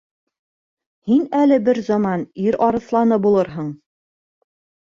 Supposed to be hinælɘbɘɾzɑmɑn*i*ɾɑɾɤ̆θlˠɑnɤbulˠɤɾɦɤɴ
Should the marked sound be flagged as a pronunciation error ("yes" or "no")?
no